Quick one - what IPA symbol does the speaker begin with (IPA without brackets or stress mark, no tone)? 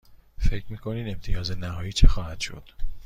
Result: f